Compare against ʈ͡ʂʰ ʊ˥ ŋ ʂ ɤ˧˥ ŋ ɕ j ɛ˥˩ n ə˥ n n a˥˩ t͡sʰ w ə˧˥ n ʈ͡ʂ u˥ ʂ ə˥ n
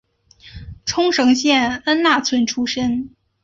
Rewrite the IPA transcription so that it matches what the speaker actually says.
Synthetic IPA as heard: ʈ͡ʂʰ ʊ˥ ŋ ʂ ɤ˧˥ ŋ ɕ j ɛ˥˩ n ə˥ n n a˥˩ t͡sʰ w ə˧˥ n ʈ͡ʂʰ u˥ ʂ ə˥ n